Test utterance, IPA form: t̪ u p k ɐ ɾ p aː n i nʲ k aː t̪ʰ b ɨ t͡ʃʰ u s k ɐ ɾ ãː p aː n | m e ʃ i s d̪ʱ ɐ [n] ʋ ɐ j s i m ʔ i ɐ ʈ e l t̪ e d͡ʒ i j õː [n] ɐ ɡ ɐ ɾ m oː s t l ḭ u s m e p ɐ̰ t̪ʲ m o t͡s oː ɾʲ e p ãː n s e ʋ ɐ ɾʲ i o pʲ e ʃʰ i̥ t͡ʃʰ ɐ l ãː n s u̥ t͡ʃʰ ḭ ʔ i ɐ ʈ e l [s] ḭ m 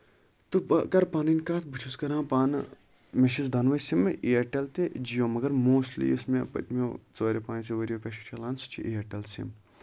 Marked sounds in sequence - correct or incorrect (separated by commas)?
correct, incorrect, correct